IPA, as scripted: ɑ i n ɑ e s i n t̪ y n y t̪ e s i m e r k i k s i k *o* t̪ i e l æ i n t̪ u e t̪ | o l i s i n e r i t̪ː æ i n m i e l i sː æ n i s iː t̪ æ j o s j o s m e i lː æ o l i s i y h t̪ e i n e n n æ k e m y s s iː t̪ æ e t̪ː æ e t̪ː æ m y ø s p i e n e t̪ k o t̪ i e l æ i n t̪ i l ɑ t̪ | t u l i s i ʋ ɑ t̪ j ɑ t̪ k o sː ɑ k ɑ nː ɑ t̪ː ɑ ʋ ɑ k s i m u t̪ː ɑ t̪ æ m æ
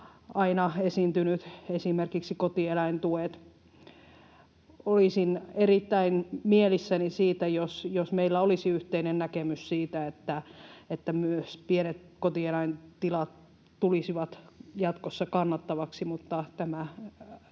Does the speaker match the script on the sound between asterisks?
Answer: yes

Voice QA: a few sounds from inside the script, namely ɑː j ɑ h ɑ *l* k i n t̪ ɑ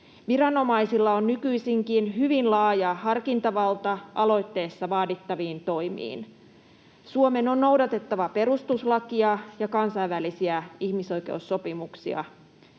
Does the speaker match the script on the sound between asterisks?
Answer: no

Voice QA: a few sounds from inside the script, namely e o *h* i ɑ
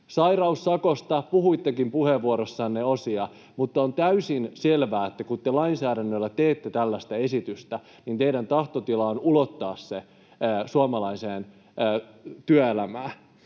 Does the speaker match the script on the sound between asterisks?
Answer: no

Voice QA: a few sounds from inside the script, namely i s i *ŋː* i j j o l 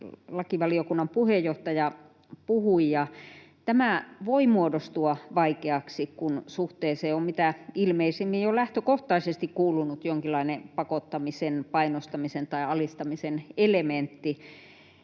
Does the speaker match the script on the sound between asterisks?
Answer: no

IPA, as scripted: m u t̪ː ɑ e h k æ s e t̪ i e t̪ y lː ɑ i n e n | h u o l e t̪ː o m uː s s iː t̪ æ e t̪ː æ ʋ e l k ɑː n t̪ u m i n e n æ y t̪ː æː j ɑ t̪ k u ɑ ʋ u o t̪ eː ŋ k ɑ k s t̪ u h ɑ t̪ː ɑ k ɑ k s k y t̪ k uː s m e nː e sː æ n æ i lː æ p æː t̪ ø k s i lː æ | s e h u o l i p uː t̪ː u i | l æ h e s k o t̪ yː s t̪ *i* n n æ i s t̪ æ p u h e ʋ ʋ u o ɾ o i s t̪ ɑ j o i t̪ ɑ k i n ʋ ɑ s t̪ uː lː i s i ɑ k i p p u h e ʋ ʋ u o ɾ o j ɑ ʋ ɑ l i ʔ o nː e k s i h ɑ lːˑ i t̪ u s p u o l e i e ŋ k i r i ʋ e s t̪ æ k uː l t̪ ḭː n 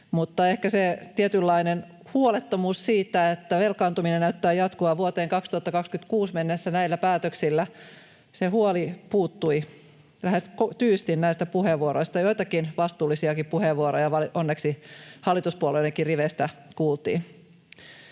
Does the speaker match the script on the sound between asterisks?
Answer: yes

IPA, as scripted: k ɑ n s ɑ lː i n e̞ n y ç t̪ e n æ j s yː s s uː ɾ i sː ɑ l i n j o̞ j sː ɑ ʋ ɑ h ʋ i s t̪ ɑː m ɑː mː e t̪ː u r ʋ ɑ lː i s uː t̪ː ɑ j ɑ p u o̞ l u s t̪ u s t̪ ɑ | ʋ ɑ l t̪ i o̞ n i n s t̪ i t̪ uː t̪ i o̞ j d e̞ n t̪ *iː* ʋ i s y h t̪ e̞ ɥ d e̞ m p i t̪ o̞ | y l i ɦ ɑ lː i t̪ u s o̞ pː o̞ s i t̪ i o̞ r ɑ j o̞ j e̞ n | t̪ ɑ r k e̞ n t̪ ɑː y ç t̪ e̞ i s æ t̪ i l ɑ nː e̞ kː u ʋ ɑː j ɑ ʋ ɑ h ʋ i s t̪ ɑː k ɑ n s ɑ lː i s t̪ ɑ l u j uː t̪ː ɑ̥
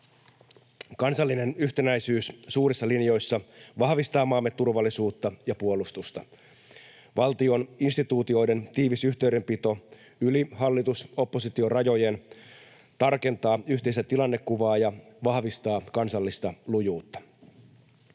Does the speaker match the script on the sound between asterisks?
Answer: yes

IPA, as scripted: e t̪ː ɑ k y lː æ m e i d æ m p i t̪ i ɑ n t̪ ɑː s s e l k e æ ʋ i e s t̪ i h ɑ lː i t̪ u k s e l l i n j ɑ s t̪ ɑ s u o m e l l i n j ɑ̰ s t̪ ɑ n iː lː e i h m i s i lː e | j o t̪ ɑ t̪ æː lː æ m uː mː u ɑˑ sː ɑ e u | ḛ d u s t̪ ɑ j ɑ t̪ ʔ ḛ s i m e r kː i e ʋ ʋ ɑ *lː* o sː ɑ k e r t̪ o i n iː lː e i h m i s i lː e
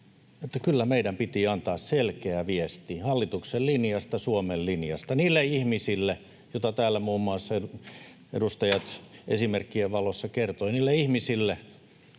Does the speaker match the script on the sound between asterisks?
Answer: no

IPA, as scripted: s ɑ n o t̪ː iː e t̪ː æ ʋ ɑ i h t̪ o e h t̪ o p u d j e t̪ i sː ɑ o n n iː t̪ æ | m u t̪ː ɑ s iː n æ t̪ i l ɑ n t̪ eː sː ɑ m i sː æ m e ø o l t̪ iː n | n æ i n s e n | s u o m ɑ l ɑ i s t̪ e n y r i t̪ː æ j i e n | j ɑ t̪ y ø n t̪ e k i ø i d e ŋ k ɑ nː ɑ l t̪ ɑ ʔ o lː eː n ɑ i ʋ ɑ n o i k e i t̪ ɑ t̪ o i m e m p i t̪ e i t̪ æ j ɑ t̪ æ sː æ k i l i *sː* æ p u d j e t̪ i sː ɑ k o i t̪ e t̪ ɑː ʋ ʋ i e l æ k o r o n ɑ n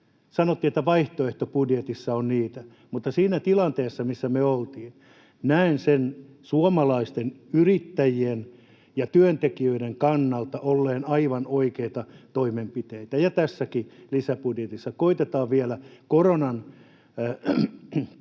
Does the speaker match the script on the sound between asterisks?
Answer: no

